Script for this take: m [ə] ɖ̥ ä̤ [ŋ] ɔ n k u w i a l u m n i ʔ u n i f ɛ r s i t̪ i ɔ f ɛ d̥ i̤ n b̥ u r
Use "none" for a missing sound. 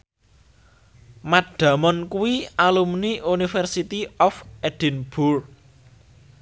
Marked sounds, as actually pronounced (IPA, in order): a, m

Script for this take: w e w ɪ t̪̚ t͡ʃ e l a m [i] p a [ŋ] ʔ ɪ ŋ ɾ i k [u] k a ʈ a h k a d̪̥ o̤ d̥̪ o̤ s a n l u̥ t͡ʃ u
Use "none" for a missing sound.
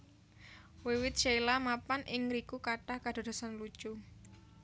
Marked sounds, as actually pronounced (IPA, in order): a, n, u

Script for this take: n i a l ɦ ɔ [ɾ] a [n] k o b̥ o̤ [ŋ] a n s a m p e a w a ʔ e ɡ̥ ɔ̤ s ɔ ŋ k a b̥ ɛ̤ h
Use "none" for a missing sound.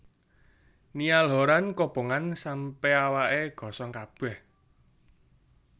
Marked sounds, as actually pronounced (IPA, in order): ɾ, n, ŋ

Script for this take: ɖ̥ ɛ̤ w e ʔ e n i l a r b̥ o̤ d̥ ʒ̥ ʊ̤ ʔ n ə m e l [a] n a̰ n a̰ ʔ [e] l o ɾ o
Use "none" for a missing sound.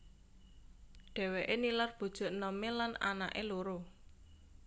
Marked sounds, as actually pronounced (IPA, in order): a, e

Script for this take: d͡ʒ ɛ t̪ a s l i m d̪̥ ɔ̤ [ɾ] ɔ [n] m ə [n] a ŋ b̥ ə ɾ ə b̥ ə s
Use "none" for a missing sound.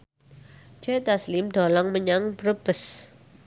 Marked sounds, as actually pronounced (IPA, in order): l, ŋ, ɲ

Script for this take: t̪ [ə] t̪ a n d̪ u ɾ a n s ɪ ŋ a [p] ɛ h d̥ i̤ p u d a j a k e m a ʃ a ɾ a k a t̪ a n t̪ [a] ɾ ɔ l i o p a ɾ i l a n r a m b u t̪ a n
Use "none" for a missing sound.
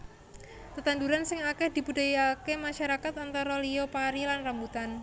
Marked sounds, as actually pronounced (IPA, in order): ə, k, a

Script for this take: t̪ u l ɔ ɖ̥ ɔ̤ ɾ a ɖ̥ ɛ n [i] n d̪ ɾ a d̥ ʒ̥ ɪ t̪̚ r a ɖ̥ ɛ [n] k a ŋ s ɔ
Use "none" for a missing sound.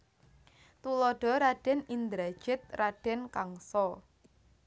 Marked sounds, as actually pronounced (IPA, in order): i, n

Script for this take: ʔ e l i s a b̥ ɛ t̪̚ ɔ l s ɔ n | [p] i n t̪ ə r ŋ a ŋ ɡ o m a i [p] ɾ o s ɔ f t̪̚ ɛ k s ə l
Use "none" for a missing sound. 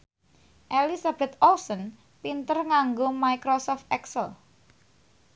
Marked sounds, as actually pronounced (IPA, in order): p, k

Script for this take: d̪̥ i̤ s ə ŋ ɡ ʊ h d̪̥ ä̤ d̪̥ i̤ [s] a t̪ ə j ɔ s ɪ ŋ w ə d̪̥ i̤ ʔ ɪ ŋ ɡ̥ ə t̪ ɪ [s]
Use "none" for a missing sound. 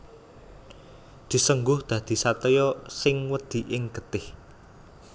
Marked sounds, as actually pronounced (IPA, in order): s, h

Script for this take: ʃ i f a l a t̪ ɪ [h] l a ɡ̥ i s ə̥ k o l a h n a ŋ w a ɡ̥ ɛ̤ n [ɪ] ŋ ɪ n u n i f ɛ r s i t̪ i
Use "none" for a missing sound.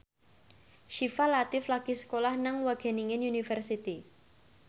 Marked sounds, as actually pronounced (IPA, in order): f, i

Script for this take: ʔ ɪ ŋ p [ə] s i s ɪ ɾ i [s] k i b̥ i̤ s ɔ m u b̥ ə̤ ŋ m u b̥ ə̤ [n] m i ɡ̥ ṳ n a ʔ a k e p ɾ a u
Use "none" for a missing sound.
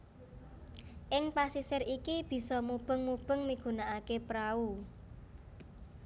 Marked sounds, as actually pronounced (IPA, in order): a, none, ŋ

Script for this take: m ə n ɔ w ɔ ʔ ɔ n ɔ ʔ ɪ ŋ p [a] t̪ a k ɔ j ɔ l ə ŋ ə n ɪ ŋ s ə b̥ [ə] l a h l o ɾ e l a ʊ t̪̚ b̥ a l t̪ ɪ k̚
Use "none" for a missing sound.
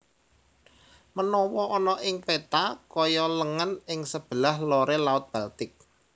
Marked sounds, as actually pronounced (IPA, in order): e, ə

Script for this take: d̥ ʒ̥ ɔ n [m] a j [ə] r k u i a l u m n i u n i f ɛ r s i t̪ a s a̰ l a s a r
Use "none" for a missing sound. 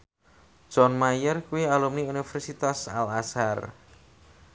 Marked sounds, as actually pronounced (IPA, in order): m, ə

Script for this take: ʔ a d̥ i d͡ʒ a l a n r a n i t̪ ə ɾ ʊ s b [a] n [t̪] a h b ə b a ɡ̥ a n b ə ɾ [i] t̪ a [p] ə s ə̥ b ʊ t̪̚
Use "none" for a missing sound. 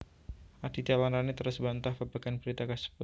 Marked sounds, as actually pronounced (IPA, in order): a, t̪, i, k

